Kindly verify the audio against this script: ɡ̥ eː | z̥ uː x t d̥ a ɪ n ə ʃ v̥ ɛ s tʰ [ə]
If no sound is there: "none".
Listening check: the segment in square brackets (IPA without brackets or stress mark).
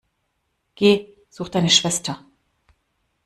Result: ɐ